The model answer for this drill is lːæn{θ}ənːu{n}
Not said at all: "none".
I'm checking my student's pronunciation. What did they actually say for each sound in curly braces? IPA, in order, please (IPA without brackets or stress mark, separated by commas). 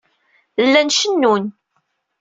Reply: ʃ, n